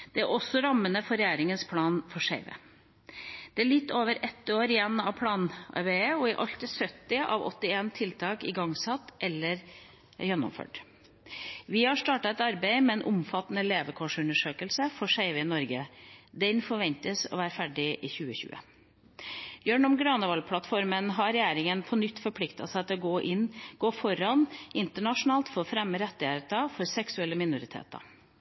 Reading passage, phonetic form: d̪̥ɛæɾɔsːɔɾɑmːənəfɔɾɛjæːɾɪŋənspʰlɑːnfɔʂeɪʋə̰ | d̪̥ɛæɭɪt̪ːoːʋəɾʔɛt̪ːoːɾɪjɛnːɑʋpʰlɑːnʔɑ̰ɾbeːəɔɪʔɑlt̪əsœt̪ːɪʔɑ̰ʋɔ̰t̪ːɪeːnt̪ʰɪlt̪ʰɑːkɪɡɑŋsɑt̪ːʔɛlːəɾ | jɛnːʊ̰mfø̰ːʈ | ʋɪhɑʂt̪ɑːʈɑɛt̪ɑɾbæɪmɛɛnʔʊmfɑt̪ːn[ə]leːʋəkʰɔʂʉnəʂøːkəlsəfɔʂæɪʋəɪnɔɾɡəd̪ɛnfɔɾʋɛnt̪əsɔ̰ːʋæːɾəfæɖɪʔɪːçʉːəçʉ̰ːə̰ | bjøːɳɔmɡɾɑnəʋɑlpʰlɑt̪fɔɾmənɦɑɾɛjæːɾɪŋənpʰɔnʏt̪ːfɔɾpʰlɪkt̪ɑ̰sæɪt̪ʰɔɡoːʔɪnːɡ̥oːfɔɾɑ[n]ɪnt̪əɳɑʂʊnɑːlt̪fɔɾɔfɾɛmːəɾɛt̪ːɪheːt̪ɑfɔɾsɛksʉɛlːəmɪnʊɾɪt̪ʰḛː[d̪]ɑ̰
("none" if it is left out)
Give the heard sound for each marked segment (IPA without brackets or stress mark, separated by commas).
ə, n, t̪